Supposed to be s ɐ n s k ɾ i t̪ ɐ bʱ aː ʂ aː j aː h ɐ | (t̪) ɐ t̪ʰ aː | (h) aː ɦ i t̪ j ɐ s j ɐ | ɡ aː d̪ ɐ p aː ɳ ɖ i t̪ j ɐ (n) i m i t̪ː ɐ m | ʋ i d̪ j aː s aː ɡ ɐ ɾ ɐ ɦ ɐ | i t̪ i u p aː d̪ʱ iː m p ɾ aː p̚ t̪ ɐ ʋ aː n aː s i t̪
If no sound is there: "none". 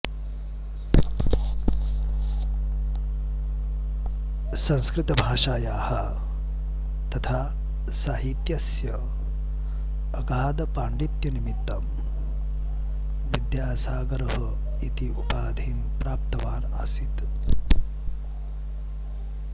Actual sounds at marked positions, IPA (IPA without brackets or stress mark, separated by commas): t̪, s, n